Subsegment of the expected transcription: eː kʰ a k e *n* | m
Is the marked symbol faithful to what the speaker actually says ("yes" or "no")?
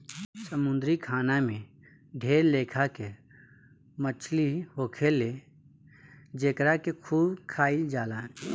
no